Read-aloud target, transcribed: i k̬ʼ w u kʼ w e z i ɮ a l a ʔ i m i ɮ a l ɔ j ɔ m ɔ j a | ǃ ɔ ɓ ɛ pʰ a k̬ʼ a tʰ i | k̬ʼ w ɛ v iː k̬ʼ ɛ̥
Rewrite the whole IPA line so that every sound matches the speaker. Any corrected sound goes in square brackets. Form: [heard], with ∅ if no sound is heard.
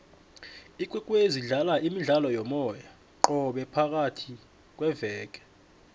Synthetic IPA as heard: i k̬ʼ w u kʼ w e z i ɮ a l a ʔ i m i ɮ a l ɔ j ɔ m ɔ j a | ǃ ɔ ɓ ɛ pʰ a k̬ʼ a tʰ i | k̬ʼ w ɛ v [ɛː] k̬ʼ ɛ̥